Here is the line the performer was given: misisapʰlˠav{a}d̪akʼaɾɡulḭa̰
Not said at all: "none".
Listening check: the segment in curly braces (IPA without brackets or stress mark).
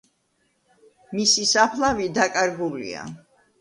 i